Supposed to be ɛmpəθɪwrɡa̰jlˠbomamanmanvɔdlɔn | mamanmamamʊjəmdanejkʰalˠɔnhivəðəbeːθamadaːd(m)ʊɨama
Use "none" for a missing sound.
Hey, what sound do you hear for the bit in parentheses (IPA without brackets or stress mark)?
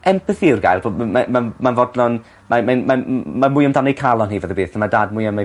m